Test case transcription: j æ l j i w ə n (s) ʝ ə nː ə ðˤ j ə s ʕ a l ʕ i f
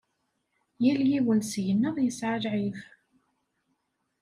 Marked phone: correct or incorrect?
correct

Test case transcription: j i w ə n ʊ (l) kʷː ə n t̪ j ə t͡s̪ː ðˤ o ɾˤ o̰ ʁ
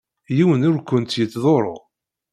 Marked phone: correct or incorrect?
incorrect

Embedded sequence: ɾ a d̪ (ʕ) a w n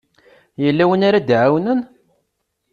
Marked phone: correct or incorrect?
correct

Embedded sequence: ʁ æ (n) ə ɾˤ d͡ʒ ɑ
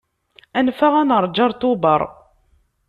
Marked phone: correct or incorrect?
correct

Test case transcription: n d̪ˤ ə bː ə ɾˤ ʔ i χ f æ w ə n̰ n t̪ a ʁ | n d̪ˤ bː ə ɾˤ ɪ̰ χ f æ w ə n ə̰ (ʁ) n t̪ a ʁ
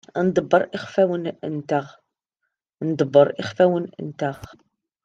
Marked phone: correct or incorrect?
incorrect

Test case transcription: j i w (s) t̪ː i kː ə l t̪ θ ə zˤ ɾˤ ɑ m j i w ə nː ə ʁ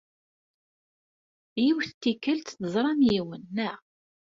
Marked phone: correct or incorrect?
incorrect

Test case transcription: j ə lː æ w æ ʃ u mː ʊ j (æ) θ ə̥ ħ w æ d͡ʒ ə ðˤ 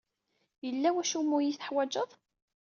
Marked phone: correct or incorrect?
incorrect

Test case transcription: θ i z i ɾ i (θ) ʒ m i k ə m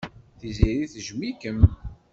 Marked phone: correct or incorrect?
correct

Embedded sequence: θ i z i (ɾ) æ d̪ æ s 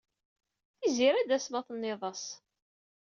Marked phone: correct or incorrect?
correct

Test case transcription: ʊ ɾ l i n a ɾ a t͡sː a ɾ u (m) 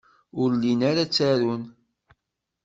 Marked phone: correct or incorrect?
incorrect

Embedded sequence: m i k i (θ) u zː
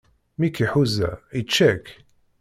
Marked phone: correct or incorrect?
incorrect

